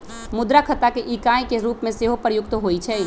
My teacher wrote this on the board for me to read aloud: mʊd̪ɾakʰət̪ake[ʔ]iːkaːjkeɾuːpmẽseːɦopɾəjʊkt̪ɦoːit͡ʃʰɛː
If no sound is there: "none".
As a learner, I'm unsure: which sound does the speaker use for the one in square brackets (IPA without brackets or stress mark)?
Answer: ʔ